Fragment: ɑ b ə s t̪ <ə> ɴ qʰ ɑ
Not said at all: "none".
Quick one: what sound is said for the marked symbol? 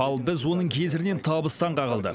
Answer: ɑ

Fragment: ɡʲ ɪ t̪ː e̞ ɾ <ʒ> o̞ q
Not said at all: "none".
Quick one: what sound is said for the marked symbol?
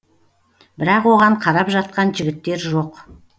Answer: ʒ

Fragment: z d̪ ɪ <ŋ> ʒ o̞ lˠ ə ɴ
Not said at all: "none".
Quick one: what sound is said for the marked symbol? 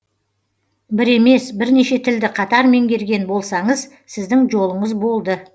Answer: ŋ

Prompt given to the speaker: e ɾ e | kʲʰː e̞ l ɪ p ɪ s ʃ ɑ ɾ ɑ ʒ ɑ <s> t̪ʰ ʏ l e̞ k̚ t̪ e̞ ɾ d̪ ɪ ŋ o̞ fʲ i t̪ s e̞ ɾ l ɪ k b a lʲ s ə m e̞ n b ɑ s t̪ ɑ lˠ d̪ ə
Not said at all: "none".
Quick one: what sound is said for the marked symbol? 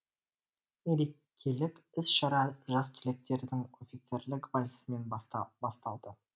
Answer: s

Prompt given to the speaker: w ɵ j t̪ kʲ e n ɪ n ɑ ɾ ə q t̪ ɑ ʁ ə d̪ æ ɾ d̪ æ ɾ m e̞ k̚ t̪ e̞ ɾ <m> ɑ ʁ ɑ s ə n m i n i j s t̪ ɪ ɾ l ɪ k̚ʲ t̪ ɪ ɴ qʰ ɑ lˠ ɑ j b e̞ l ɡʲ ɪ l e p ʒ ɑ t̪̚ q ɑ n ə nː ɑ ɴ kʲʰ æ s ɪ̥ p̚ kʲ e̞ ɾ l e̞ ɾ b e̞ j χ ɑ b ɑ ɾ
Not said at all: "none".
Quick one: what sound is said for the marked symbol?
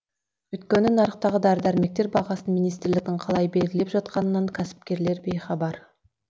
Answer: b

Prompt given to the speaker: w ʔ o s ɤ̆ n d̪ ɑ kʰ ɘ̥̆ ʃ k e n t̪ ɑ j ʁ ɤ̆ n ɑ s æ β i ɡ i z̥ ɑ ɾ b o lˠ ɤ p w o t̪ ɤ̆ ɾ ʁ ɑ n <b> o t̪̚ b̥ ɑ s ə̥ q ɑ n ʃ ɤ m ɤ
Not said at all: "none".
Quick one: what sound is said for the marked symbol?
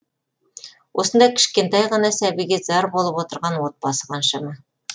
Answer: w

